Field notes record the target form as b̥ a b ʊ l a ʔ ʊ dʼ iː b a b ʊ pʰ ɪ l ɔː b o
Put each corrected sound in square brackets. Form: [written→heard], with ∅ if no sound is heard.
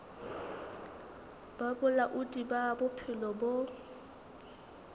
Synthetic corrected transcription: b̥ a b ʊ l a ʔ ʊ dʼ [iː→i] b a b ʊ pʰ ɪ l [ɔː→ɔ] b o

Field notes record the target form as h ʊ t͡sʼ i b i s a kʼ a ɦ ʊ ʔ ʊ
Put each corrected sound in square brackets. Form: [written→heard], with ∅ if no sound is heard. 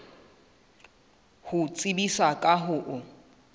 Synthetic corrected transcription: h ʊ t͡sʼ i b i s a kʼ a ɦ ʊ ʔ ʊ

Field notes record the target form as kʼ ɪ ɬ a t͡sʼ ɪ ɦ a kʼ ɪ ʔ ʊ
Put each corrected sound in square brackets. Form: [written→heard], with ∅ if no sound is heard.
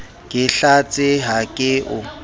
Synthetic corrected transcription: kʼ ɪ ɬ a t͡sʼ ɪ ɦ a kʼ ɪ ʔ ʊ

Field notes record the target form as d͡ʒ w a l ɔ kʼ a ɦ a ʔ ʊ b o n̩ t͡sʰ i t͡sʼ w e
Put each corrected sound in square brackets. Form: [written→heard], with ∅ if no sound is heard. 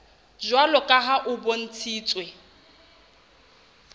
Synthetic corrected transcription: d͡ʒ w a l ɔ kʼ a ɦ a ʔ ʊ b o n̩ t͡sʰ [i→iː] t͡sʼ w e

